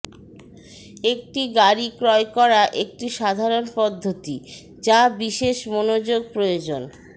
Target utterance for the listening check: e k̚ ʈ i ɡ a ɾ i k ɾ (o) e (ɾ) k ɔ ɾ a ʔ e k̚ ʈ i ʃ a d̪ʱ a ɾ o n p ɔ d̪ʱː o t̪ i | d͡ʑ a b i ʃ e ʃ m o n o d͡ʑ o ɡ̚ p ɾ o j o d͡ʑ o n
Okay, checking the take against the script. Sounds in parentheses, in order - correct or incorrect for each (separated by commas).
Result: incorrect, incorrect